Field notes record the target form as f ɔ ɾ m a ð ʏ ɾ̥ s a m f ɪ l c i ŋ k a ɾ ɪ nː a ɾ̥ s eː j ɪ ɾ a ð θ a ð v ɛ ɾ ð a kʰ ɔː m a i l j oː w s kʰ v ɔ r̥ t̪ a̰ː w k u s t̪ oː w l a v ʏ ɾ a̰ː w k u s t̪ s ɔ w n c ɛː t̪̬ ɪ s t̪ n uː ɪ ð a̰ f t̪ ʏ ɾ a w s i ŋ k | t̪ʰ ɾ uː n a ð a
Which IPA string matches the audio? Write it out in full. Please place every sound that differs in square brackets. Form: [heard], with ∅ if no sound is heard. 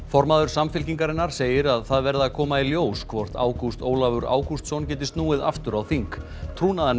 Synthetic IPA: f ɔ ɾ m a ð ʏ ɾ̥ s a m f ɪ l c i ŋ k a ɾ ɪ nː a ɾ̥ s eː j ɪ ɾ a ð θ a ð v ɛ ɾ ð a kʰ ɔː m a i l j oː w s kʰ v ɔ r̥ t̪ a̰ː w k u s t̪ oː w l a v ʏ ɾ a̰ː w k u s t̪ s ɔ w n c ɛː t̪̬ ɪ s t̪ n uː ɪ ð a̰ f t̪ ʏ ɾ a w [θ] i ŋ k | t̪ʰ ɾ uː n a ð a